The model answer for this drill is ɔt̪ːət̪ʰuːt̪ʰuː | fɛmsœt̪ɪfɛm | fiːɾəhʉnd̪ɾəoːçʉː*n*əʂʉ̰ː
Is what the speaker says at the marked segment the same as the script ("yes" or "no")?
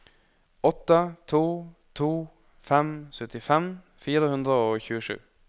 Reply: no